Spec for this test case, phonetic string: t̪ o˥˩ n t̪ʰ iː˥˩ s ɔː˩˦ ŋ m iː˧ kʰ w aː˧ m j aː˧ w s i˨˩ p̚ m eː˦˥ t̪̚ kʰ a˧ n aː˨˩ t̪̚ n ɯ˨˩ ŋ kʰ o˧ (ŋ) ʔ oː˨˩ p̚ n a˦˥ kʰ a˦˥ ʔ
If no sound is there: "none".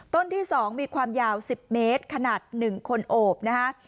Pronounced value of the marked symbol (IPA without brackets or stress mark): n